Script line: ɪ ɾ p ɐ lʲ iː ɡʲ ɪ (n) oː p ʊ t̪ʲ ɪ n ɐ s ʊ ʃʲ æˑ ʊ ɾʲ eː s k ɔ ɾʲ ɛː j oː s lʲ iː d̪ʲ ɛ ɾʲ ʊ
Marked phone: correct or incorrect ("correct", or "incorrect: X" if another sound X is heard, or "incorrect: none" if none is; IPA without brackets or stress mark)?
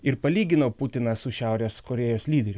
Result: correct